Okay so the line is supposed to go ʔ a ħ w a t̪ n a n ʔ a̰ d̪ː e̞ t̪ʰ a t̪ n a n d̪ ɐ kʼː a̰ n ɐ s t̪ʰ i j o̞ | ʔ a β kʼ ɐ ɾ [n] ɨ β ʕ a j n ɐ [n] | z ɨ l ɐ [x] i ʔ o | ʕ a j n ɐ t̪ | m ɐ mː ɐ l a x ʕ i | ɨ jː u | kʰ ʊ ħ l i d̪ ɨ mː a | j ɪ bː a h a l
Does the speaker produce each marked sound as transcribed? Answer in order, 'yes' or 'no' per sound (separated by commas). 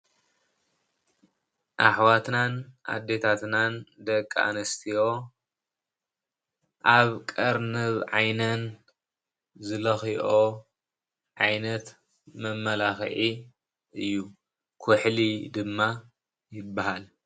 yes, yes, yes